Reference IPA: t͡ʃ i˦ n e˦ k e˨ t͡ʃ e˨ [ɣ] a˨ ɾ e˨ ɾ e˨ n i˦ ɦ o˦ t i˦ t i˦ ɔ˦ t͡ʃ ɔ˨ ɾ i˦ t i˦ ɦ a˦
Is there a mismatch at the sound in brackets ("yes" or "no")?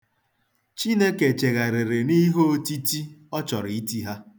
no